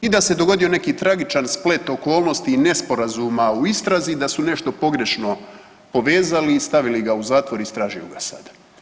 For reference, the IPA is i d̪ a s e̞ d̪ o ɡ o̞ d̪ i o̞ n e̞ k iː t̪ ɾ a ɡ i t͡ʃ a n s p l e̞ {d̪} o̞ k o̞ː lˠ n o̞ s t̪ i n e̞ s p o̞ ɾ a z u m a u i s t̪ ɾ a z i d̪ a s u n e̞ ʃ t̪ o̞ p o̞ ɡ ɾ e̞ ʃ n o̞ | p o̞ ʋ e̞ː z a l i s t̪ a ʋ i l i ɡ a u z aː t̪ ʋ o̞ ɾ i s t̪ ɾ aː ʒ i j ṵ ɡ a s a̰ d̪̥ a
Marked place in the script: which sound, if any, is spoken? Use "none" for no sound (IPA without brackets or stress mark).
t̪